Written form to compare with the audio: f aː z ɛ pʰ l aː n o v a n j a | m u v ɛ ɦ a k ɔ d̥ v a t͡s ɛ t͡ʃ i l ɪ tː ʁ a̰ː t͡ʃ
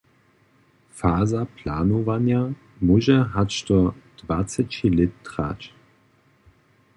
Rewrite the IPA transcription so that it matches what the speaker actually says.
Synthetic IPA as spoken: f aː z a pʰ l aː n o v a n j a | m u ʒ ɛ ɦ a t ɔ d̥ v a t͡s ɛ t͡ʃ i l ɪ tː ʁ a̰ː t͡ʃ